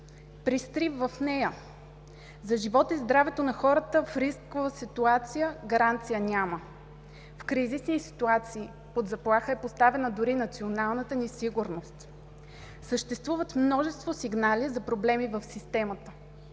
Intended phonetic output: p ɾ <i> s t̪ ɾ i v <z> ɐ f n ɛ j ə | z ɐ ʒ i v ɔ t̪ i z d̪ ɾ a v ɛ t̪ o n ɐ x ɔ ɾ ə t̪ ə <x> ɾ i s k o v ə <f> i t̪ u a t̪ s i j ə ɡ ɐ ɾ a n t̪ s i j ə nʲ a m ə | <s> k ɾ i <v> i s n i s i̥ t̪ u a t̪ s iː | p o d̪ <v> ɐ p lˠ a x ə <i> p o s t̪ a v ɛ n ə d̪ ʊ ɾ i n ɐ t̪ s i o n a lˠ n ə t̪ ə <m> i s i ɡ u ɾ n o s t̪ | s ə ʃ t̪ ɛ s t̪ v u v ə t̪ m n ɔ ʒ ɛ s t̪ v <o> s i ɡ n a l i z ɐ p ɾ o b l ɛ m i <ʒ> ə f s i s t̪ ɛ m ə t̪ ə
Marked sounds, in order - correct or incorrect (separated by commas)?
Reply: correct, incorrect, incorrect, incorrect, incorrect, incorrect, incorrect, incorrect, incorrect, correct, incorrect